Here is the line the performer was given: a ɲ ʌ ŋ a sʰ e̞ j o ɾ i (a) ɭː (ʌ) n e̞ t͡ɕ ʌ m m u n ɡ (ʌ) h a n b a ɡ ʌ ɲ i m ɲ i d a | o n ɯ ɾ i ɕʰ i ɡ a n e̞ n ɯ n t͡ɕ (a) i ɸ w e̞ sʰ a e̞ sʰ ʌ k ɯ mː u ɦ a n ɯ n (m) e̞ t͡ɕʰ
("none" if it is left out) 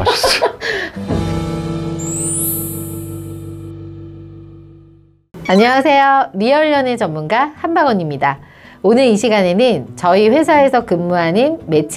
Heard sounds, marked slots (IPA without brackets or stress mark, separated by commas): ʌ, ʌ, a, ʌ, m